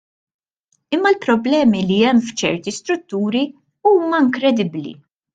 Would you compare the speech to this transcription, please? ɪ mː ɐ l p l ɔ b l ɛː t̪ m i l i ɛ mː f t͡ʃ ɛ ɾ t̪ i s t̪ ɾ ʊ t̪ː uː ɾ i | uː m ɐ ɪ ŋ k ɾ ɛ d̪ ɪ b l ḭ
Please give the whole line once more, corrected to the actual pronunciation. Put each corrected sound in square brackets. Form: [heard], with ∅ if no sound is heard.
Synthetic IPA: ɪ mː ɐ l p [ɾ] ɔ b l ɛː [∅] m i l i ɛ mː f t͡ʃ ɛ ɾ t̪ i s t̪ ɾ ʊ t̪ː uː ɾ i | uː m ɐ ɪ ŋ k ɾ ɛ d̪ ɪ b l ḭ